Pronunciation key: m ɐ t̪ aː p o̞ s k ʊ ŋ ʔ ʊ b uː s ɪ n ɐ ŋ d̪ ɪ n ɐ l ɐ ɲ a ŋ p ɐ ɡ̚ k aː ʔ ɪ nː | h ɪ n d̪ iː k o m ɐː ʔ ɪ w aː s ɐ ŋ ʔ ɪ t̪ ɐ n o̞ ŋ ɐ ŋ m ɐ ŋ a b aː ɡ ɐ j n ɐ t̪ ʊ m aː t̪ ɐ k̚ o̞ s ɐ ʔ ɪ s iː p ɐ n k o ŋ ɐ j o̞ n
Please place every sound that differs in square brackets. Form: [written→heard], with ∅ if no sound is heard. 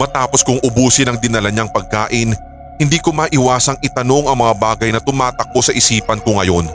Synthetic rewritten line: m ɐ t̪ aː p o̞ s k ʊ ŋ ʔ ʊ b uː s ɪ n ɐ ŋ d̪ ɪ n ɐ l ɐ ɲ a ŋ p ɐ ɡ̚ k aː ʔ ɪ [nː→n] | h ɪ n d̪ iː k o m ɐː ʔ ɪ w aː s ɐ ŋ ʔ ɪ t̪ ɐ n o̞ ŋ ɐ ŋ m ɐ ŋ a b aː ɡ ɐ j n ɐ t̪ ʊ m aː t̪ ɐ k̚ o̞ s ɐ ʔ ɪ s iː p ɐ n k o ŋ ɐ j o̞ n